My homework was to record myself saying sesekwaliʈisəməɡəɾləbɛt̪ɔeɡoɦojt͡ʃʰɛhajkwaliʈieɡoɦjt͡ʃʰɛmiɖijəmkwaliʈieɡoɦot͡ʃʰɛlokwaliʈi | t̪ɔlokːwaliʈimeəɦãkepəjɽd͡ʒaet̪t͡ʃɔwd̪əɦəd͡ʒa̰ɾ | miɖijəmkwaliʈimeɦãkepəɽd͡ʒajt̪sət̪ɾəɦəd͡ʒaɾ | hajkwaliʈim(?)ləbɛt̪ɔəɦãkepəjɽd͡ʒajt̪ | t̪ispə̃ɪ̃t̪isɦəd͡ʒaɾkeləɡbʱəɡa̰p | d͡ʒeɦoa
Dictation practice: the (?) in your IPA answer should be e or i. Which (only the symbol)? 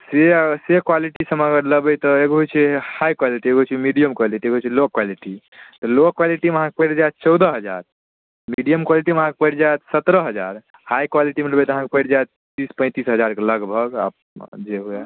e